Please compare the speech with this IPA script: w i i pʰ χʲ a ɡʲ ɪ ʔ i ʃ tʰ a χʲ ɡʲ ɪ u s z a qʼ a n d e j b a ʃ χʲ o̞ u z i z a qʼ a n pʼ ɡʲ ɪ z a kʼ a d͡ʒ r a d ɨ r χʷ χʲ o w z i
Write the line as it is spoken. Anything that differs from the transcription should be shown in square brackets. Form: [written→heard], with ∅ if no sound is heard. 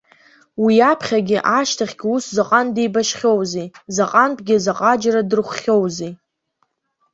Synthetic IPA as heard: w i [i→a] pʰ χʲ a ɡʲ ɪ ʔ [i→a] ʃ tʰ a χʲ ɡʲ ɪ u s z a qʼ a n d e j b a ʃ χʲ o̞ [u→w] z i z a qʼ a n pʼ ɡʲ ɪ z a [kʼ→qʼ] a d͡ʒ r a d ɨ r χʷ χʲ o w z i